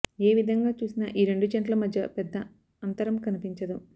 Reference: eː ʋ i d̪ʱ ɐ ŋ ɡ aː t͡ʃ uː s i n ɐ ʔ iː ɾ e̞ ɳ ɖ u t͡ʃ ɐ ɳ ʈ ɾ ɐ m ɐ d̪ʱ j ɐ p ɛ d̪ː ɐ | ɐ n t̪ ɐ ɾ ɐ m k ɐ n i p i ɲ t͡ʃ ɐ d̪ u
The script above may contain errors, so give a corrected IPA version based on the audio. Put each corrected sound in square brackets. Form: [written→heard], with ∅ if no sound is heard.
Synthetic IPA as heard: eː ʋ i d̪ʱ ɐ ŋ ɡ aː t͡ʃ uː s i n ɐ ʔ iː ɾ e̞ ɳ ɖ u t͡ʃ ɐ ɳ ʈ [ɾ→l] ɐ m ɐ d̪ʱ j ɐ p ɛ d̪ː ɐ | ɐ n t̪ ɐ ɾ ɐ m k ɐ n i p i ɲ t͡ʃ ɐ d̪ u